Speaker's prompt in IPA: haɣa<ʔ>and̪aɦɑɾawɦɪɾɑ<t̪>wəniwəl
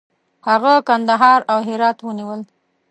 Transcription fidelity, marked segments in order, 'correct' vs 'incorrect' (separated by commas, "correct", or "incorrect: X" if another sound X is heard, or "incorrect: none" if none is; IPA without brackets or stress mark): incorrect: k, correct